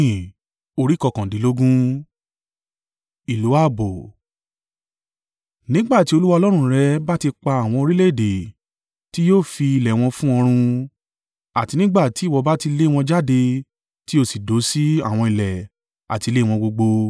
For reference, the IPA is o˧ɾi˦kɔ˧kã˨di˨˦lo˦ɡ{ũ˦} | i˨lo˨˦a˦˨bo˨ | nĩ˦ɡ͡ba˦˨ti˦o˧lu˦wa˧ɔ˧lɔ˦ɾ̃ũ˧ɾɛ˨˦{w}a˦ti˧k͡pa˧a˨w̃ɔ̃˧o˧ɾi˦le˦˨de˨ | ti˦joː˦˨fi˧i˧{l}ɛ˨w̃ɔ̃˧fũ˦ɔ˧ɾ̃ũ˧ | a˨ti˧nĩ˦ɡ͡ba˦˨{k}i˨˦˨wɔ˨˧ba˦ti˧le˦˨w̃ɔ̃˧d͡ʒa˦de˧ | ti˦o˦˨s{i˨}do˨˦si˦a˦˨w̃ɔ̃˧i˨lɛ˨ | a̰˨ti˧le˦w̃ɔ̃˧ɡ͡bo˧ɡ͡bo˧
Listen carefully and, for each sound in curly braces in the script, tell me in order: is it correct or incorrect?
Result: correct, incorrect: b, correct, incorrect: t, correct

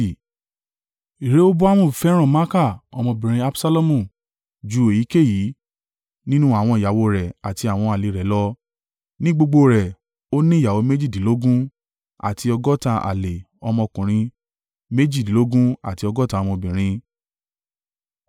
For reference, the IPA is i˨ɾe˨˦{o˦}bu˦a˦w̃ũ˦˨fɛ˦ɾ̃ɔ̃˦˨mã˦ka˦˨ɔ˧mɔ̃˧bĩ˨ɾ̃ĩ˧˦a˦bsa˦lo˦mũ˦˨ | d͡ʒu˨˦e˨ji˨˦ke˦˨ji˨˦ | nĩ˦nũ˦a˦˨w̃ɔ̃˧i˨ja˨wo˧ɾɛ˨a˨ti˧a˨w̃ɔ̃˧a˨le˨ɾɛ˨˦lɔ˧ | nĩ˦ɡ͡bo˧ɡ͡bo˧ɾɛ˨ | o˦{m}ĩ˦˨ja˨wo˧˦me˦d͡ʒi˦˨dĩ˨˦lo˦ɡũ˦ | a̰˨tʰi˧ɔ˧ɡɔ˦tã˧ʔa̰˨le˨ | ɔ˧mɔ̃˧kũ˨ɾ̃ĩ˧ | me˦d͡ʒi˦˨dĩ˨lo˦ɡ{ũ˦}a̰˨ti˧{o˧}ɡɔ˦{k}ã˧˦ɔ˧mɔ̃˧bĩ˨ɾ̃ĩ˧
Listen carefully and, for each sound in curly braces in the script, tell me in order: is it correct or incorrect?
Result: correct, incorrect: n, correct, incorrect: ɔ˧, incorrect: t

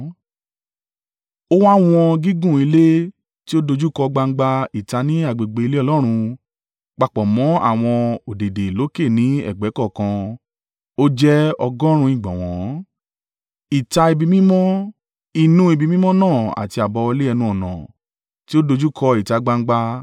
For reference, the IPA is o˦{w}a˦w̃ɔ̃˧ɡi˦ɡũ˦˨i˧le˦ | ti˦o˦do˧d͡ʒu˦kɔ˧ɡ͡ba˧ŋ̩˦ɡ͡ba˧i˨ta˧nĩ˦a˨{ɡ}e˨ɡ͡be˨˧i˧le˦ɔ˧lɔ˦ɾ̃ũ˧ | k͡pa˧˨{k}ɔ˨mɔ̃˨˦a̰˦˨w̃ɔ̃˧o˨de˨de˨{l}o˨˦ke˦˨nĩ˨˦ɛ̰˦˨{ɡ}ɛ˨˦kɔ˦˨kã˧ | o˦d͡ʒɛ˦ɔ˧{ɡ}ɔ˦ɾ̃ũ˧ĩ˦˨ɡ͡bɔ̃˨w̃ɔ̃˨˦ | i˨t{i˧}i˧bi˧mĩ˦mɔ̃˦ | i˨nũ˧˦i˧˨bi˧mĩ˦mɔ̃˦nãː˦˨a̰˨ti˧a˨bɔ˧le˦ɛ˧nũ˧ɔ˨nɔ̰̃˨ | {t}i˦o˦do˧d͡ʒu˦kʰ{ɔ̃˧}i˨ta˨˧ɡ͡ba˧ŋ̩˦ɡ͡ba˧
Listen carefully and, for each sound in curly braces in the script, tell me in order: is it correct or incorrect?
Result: correct, incorrect: ɡ͡b, incorrect: k͡p, correct, incorrect: ɡ͡b, correct, incorrect: a˧, correct, incorrect: ɔ˧

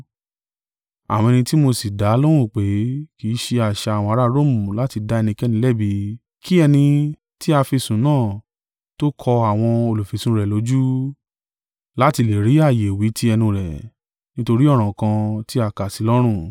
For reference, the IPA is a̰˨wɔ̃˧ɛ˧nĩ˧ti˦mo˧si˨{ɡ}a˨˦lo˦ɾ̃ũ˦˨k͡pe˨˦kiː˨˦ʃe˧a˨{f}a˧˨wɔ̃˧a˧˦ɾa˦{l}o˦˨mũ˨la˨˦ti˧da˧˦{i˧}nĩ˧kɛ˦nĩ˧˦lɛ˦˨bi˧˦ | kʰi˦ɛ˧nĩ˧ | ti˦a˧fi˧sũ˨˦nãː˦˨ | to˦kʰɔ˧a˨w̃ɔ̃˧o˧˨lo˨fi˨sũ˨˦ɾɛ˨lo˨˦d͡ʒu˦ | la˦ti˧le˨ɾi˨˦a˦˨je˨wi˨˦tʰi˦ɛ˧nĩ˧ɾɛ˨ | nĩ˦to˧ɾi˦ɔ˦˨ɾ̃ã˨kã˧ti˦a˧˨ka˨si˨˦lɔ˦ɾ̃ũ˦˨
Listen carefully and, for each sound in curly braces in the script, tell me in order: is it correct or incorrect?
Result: incorrect: d, incorrect: ʃ, incorrect: ɾ, incorrect: ɛ˧

